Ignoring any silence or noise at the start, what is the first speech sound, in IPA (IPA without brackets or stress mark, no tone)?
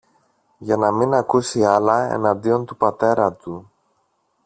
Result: ʝ